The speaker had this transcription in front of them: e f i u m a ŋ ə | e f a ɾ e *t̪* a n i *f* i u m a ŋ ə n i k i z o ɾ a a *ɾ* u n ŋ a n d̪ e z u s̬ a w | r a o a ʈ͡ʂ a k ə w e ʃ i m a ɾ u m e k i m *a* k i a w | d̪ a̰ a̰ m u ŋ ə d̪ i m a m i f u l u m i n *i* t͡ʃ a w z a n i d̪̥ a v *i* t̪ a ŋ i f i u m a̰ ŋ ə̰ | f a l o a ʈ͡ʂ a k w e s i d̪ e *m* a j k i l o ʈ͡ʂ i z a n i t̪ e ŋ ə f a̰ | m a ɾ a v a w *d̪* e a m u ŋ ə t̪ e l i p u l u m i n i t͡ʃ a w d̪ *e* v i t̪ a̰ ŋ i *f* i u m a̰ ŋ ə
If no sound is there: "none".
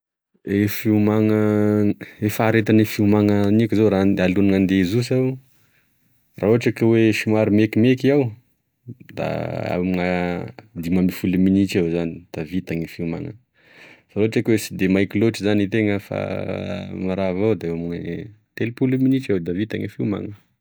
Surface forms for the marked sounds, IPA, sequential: t̪, f, l, e, i, i, m, d̪, a, f

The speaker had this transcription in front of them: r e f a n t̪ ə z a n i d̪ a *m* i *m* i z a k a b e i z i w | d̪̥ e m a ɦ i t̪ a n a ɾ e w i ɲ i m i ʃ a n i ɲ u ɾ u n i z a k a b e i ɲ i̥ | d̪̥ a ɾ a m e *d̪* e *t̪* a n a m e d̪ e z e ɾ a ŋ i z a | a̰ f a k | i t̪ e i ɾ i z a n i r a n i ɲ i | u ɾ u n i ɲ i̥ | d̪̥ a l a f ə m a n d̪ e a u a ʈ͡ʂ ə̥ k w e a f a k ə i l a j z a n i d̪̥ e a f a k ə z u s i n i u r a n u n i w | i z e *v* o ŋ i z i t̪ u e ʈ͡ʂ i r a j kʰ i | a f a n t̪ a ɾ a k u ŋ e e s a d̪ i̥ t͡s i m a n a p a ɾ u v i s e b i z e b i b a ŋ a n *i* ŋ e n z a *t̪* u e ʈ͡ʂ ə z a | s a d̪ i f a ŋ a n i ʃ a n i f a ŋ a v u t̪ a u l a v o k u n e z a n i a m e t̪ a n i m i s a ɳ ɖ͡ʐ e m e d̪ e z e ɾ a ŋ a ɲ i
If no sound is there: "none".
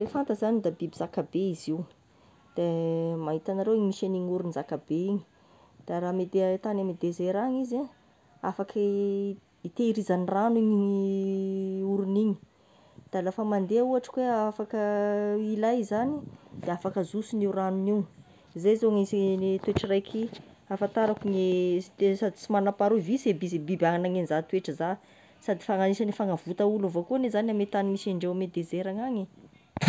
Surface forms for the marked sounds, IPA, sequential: b, b, d̪, t̪, z, a, t̪

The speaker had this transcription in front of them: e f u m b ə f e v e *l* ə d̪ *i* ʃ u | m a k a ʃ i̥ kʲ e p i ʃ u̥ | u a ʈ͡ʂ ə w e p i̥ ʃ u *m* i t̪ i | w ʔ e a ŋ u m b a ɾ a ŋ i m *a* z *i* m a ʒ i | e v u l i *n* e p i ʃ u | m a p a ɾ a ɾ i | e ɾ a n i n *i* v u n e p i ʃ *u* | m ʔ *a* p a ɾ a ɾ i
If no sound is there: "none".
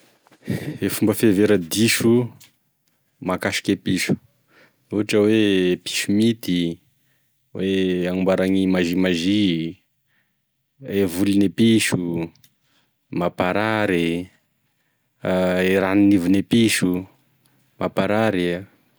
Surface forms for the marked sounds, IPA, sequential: ɾ, i, m, a, i, n, i, u, a

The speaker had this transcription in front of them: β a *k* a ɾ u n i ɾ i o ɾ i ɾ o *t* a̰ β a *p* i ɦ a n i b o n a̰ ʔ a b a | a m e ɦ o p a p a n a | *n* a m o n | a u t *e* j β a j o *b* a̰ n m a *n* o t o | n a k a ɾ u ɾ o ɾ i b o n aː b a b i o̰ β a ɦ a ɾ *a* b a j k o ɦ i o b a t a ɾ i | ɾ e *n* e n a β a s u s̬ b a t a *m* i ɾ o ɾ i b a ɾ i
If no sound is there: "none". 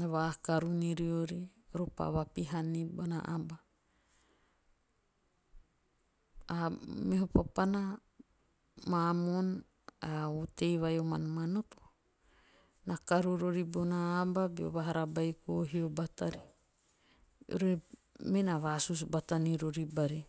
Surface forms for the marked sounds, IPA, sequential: k, p, p, m, e, m, n, a, m, n

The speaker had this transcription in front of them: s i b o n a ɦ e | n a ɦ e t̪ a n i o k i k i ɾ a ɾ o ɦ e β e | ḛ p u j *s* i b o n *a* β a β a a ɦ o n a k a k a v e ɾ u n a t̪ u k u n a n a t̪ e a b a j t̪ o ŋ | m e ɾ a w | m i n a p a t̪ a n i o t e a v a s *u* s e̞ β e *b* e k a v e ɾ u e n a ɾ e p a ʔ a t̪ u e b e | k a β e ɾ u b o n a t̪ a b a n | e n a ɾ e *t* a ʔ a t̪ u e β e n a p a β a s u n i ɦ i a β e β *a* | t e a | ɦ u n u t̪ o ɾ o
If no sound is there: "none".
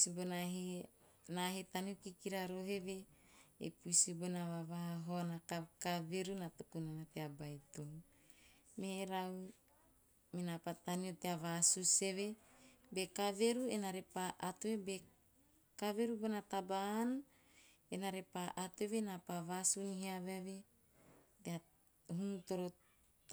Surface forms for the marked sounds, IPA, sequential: s, a, u, b, p, e

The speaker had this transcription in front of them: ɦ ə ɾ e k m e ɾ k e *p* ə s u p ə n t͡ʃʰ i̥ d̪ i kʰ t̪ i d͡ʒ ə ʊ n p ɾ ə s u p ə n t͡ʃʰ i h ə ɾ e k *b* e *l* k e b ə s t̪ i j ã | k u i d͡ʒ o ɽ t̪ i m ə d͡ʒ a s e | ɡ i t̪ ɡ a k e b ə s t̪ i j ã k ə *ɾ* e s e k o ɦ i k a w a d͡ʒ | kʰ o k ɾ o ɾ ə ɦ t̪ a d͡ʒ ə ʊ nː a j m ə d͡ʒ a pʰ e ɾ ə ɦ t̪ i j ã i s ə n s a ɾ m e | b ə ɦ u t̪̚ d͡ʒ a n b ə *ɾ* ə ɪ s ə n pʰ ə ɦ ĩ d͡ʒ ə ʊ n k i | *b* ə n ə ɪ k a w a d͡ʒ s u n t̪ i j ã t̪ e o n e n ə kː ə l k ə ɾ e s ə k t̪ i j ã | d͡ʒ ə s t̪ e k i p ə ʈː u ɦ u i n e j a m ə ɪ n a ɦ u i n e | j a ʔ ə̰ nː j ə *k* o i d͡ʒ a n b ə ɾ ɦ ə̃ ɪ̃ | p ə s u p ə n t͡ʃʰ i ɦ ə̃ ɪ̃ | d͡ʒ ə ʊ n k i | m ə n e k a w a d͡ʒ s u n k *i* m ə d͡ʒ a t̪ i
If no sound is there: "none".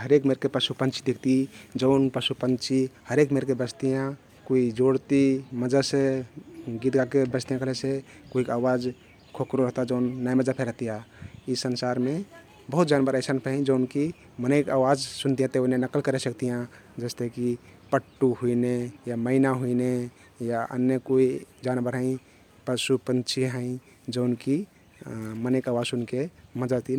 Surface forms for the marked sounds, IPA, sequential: p, m, ɾ, l, ɾ, m, k, e

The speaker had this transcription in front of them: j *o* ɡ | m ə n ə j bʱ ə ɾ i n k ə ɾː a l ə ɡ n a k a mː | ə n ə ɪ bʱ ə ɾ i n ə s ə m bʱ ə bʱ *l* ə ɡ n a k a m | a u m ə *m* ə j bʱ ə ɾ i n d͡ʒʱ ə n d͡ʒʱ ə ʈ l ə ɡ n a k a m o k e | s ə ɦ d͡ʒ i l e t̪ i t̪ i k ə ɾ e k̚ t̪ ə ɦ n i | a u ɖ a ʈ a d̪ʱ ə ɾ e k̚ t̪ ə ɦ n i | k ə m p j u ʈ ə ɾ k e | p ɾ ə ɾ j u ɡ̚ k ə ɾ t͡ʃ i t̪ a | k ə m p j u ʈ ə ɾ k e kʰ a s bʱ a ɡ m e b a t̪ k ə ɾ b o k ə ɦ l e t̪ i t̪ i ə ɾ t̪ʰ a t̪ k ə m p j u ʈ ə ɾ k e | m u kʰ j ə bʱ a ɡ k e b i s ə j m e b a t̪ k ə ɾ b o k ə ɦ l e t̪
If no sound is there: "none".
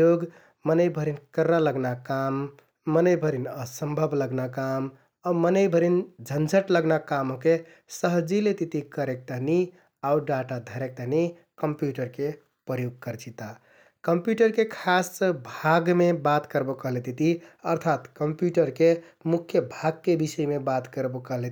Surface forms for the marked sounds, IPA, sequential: o, l, n

